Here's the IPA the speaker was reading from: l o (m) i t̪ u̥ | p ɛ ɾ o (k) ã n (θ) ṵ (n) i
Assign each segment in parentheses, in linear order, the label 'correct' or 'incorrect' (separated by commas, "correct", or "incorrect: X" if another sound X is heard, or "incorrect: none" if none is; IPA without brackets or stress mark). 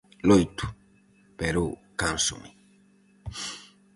incorrect: none, correct, incorrect: s, incorrect: m